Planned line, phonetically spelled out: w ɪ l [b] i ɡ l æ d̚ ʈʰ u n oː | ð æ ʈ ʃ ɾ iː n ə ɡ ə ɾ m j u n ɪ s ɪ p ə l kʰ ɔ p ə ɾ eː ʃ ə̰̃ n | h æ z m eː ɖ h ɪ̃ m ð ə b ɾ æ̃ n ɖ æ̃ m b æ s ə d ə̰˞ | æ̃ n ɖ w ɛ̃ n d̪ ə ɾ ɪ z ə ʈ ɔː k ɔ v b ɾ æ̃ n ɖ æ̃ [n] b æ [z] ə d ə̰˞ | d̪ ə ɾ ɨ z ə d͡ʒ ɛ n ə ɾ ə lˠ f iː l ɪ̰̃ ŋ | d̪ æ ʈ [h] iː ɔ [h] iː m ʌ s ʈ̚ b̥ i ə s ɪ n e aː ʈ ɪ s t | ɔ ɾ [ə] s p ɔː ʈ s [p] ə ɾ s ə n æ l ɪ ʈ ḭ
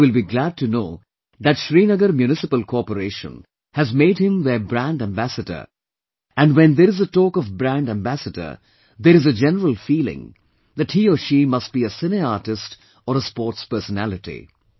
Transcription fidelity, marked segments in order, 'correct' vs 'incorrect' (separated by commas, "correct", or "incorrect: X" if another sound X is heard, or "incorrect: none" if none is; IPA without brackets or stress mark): correct, incorrect: m, incorrect: s, correct, incorrect: ʃ, correct, correct